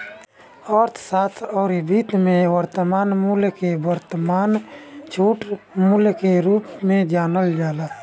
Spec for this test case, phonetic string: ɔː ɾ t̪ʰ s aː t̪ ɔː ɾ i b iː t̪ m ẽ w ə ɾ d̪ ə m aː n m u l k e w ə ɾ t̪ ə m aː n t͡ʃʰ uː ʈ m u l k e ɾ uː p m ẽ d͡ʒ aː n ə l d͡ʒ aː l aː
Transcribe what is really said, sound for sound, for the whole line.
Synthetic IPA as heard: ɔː ɾ t̪ʰ s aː t̪ʰ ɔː ɾ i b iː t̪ m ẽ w ə ɾ t̪ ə m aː n m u l k e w ə ɾ t̪ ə m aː n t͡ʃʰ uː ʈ m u l k e ɾ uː p m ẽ d͡ʒ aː n ə l d͡ʒ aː l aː